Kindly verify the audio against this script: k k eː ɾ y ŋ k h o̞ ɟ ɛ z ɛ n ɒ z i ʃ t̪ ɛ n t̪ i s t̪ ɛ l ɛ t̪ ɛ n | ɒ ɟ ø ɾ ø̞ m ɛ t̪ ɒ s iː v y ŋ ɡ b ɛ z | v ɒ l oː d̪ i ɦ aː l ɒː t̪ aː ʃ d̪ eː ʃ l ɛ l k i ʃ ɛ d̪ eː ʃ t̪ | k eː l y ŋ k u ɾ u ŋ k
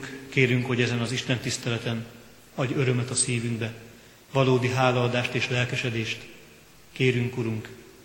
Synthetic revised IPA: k k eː ɾ y ŋ k h o̞ ɟ ɛ z ɛ n ɒ z i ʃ t̪ ɛ n t̪ i s t̪ ɛ l ɛ t̪ ɛ n | ɒ ɟ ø ɾ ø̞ m ɛ t̪ ɒ s iː v y ŋ ɡ b ɛ | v ɒ l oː d̪ i ɦ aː l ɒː d̪ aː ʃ t̪ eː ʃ l ɛ l k ɛ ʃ ɛ d̪ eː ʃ t̪ | k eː ɾ y ŋ k u ɾ u ŋ k